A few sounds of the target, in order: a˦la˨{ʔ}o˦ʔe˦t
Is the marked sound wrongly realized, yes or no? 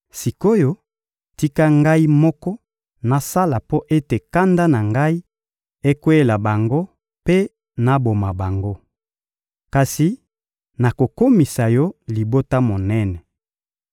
yes